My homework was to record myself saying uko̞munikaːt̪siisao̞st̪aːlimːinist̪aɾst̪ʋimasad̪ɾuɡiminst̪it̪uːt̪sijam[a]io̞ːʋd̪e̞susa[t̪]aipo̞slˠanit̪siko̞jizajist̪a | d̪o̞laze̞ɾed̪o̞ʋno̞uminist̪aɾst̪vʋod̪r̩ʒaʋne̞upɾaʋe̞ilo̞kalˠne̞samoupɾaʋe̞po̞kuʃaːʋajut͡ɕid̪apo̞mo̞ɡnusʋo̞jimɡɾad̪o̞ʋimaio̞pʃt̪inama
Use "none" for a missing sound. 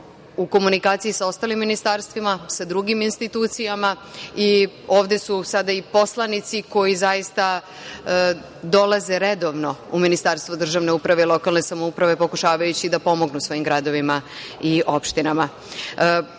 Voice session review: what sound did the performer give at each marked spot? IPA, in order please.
a, d̪

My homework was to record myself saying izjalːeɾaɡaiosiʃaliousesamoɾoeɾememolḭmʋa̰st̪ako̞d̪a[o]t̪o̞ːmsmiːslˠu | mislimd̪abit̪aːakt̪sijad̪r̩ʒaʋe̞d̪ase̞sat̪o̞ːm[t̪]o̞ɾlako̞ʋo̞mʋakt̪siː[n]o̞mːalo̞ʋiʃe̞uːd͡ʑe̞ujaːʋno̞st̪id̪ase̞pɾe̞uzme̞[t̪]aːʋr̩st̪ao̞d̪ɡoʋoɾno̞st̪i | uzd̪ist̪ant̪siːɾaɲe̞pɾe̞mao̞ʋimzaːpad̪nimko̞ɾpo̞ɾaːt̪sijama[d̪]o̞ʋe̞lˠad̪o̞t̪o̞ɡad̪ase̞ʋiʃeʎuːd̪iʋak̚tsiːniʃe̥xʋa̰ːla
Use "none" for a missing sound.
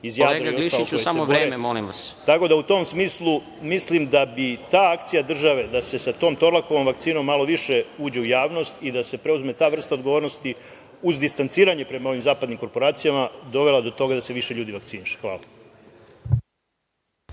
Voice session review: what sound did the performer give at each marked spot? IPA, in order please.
u, t̪, n, t̪, d̪

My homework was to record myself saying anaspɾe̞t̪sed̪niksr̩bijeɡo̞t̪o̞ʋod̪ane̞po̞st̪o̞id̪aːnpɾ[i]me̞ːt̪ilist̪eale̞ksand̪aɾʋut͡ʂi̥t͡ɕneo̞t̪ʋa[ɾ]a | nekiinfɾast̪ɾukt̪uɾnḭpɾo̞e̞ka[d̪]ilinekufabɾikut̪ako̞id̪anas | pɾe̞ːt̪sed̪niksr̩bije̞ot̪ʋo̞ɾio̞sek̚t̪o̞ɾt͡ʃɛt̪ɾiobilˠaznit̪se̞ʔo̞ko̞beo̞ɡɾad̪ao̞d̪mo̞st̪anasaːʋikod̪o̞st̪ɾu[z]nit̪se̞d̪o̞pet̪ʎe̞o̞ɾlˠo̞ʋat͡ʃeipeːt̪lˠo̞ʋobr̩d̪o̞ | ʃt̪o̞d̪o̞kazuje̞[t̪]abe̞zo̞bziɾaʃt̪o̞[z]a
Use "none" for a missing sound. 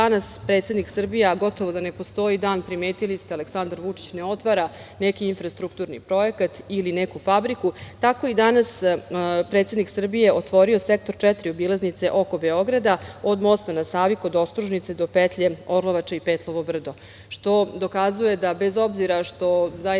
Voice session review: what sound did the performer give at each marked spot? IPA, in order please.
i, ɾ, t̪, ʒ, d̪, z

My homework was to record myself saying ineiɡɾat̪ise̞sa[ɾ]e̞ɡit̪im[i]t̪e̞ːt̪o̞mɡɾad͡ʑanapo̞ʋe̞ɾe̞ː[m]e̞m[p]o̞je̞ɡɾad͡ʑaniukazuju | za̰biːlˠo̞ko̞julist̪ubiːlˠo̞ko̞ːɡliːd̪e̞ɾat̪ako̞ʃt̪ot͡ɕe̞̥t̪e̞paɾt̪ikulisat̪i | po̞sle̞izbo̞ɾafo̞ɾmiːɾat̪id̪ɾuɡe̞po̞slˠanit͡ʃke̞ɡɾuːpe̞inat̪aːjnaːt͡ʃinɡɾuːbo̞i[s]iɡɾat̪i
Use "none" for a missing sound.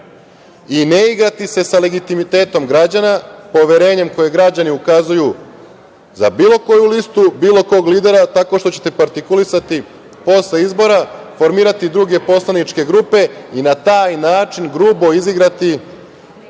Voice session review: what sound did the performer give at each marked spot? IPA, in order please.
l, i, ɲ, k, z

